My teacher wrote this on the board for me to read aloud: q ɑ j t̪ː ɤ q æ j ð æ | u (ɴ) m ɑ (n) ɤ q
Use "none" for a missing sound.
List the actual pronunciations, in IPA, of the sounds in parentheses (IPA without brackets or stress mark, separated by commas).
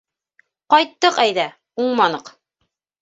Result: ɴ, n